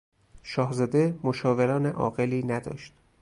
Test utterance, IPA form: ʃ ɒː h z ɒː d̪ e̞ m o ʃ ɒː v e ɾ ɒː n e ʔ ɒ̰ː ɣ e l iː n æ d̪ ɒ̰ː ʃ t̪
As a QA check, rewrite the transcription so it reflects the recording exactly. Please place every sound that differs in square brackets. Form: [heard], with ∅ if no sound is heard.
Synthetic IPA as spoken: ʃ ɒː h z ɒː d̪ e̞ m o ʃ ɒː v e ɾ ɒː n e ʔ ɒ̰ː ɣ e l iː n æ d̪ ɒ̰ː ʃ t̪